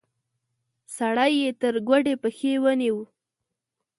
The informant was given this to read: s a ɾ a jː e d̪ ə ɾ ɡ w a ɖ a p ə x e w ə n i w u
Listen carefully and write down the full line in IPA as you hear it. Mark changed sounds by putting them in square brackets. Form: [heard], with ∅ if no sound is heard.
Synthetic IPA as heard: s a [ɽ] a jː e [t̪] ə ɾ ɡ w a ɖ [e] p ə x e w ə n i w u